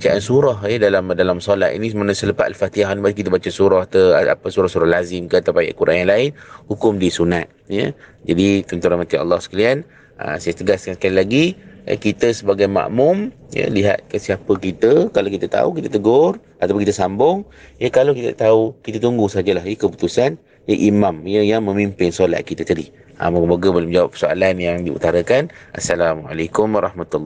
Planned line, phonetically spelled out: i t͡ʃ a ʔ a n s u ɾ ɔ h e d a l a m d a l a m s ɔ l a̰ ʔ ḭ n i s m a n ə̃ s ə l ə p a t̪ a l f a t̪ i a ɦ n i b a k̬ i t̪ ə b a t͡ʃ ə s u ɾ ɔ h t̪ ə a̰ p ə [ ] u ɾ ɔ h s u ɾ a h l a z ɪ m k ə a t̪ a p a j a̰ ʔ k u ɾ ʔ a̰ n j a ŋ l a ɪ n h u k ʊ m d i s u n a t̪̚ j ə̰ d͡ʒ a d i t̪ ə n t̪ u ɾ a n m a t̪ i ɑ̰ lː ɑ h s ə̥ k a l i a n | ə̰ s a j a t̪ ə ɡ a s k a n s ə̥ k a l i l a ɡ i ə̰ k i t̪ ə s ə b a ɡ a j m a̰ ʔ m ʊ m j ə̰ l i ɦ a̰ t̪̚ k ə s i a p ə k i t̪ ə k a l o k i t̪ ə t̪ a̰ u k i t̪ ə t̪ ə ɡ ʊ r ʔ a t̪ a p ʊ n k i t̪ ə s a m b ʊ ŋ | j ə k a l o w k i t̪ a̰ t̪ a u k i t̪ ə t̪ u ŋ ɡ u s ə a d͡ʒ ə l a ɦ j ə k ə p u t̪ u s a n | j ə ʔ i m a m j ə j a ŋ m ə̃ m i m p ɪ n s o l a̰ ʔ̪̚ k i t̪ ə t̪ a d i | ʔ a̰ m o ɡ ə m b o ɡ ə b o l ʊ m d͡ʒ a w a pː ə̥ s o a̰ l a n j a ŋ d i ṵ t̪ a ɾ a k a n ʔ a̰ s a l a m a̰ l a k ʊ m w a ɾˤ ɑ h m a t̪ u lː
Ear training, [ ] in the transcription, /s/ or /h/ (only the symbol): s